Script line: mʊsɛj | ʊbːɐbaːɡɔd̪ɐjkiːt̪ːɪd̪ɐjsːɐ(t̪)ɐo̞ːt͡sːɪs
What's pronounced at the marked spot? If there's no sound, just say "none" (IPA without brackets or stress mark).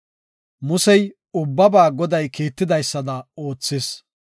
d̪